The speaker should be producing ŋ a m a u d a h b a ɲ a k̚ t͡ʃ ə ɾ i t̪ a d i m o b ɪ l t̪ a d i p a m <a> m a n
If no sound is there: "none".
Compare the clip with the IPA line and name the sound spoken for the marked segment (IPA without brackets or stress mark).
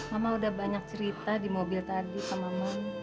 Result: a